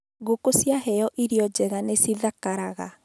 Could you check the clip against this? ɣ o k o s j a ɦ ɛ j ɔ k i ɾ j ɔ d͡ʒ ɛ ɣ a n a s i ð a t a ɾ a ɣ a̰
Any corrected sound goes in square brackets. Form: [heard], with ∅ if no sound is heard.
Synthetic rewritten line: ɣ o k o s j a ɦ ɛ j ɔ [ʔ] i ɾ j ɔ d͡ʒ ɛ ɣ a n [e] s i ð a [k] a ɾ a ɣ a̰